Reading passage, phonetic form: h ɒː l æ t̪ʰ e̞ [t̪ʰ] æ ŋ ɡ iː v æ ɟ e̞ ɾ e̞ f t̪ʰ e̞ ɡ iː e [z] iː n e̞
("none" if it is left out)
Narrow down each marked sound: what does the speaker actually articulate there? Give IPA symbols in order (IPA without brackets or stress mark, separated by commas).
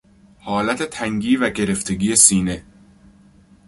t̪ʰ, s